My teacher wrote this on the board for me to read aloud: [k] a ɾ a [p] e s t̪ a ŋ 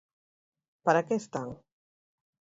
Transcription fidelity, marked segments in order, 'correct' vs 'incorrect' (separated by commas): incorrect, incorrect